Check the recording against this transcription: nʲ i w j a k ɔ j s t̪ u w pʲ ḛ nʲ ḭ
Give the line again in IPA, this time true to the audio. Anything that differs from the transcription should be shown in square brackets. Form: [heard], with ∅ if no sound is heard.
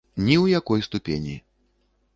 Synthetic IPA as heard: nʲ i w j a k ɔ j s t̪ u [∅] pʲ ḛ nʲ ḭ